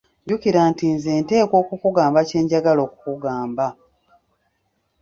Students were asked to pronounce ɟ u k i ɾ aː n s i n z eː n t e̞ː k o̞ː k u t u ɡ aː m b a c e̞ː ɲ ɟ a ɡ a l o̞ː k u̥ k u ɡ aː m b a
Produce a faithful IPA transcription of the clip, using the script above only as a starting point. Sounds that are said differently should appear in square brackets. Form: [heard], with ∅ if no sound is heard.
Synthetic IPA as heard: ɟ u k i ɾ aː n [t] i n z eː n t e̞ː k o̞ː k u [k] u ɡ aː m b a c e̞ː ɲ ɟ a ɡ a l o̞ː k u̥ k u ɡ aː m b a